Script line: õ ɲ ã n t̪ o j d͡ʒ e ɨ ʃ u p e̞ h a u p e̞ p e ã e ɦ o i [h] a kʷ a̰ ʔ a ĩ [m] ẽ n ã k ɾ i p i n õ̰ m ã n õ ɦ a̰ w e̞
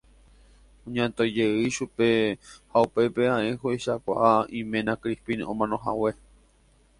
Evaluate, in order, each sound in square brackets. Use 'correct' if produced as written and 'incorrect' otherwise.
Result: incorrect, correct

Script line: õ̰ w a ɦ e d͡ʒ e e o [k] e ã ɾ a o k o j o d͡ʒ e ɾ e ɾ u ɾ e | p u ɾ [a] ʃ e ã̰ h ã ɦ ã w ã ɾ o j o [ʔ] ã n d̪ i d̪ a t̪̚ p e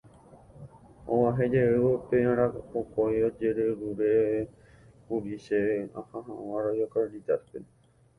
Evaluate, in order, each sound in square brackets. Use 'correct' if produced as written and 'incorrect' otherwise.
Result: incorrect, incorrect, incorrect

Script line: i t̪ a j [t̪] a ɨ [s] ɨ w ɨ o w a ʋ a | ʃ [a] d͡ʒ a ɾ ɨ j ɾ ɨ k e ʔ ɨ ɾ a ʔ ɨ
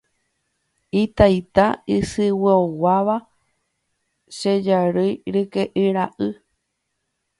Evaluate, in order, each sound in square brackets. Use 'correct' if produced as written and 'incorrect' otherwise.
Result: correct, correct, incorrect

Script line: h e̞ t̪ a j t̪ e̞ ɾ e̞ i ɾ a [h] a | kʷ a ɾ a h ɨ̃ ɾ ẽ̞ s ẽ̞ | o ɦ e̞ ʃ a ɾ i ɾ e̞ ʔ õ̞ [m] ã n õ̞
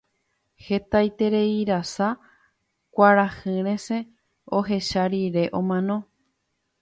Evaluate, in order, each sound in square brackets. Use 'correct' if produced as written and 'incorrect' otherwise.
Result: incorrect, correct

